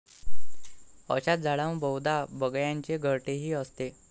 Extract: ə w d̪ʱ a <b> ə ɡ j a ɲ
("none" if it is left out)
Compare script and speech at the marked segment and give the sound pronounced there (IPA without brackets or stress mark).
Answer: b